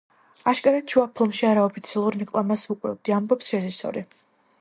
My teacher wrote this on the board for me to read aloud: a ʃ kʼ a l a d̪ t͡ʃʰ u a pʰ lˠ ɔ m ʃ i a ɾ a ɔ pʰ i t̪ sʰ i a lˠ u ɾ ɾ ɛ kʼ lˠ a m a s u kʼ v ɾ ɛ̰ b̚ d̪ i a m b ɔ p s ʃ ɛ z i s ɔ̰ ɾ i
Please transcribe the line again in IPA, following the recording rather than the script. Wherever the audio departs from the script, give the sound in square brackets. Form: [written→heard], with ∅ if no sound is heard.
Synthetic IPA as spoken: a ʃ kʼ a [l→ɾ] a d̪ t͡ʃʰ u a pʰ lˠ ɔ m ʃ i a ɾ a ɔ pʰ i t̪ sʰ i a lˠ u ɾ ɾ ɛ kʼ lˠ a m a s u kʼ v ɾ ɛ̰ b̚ d̪ i a m b ɔ p s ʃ ɛ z i s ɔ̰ ɾ i